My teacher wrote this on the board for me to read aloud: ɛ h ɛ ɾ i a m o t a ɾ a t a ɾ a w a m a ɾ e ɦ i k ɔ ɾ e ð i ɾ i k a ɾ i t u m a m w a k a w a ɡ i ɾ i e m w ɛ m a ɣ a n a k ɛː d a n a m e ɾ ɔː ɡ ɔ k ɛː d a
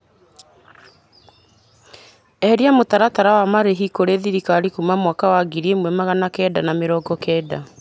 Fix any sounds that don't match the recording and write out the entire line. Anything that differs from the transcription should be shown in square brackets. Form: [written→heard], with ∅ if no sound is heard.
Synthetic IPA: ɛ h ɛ ɾ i a m o t a ɾ a t a ɾ a w a m a ɾ e ɦ i k [ɔ→o] ɾ e ð i ɾ i k a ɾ i [t→k] u m a m w a k a w a ɡ i ɾ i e m w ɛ m a ɣ a n a k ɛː d a n a m e ɾ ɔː ɡ ɔ k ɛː d a